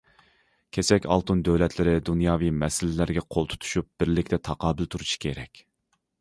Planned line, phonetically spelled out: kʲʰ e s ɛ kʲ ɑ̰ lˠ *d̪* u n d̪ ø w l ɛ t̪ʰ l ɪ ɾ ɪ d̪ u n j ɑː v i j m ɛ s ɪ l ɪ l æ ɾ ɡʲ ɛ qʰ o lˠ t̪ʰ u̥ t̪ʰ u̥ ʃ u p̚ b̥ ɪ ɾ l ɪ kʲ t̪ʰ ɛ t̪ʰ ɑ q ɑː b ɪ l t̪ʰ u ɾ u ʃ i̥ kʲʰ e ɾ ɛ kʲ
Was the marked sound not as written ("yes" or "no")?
yes